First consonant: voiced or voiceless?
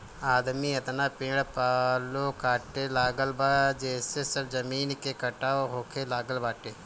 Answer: voiced